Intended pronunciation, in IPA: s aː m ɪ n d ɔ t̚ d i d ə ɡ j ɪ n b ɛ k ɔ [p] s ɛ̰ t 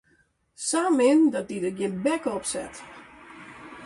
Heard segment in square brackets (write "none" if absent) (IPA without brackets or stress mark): p